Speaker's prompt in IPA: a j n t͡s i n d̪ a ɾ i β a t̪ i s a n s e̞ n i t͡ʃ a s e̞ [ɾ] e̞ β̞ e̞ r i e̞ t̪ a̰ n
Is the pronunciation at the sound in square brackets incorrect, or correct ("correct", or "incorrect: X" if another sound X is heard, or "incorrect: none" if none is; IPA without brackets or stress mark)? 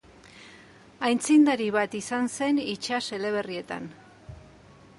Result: incorrect: l